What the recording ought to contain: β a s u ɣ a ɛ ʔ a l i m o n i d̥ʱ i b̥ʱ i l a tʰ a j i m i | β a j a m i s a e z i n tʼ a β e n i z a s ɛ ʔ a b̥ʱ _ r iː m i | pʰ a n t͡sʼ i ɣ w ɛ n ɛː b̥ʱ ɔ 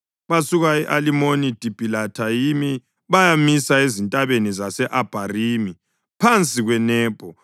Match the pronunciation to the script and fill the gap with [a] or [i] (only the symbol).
a